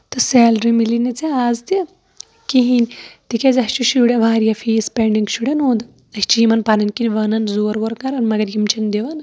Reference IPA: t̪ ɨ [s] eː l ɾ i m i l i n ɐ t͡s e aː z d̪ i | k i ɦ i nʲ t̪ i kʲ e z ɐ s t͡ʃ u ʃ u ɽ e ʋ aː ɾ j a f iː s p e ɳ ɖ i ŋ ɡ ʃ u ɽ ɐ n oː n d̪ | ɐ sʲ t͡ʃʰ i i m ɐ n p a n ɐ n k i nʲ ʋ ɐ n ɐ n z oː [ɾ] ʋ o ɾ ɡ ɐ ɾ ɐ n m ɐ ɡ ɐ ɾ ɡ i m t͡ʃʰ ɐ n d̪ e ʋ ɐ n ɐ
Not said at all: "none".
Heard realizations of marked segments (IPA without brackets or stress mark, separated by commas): s, ɾ